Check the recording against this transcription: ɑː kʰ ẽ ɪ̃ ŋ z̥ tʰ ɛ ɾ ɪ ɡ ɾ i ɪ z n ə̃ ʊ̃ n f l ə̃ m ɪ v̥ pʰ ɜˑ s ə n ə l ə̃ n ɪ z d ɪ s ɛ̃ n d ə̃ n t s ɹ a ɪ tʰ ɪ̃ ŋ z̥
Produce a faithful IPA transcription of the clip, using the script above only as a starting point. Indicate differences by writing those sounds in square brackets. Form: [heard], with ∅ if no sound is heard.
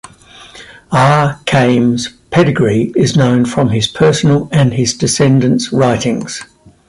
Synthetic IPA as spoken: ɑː kʰ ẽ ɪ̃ [m] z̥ [pʰ] ɛ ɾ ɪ ɡ [ɹ] i ɪ z n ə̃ ʊ̃ n f [ɹ] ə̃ m ɪ [z̥] pʰ ɜˑ s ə n ə l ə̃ n ɪ z d ɪ s ɛ̃ n d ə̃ n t s ɹ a ɪ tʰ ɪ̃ ŋ z̥